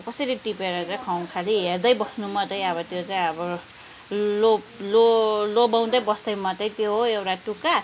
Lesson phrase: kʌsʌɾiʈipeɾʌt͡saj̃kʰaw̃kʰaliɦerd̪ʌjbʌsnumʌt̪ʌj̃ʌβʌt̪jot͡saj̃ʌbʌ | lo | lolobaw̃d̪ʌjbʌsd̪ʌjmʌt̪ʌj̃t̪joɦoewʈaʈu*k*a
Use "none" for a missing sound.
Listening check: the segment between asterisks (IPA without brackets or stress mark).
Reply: k